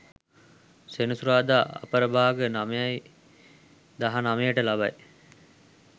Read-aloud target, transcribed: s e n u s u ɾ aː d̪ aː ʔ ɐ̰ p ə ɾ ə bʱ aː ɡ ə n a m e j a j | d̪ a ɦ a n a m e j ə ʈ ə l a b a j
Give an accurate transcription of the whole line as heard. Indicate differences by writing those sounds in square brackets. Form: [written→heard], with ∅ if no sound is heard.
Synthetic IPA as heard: s e n u s u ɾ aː d̪ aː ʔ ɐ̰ p ə ɾ ə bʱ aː ɡ ə n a m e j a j | d̪ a ɦ a n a m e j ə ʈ ə l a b a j